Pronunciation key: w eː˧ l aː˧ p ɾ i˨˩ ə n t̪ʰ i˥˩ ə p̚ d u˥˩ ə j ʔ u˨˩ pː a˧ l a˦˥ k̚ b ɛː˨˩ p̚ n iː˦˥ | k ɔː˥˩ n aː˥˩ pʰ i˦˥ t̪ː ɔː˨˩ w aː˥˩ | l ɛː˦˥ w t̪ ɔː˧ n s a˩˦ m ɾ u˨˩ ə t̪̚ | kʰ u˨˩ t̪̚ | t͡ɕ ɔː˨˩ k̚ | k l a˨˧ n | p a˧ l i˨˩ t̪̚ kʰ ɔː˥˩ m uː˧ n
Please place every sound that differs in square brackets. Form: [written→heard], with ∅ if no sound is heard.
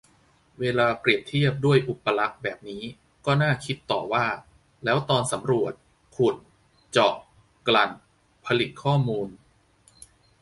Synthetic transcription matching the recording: w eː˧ l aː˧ p ɾ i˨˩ ə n t̪ʰ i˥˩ ə p̚ d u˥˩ ə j ʔ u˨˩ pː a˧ l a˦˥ k̚ b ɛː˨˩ p̚ n iː˦˥ | k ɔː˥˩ n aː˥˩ [pʰ→kʰ] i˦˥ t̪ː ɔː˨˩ w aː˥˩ | l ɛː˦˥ w t̪ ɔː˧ n s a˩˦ m ɾ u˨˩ ə t̪̚ | kʰ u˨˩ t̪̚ | t͡ɕ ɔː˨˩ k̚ | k l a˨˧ n | [p→pʰ] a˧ l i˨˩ t̪̚ kʰ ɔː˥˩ m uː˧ n